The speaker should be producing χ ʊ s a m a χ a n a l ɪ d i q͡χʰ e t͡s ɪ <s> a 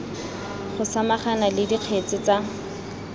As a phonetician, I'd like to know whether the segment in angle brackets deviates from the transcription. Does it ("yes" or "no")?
yes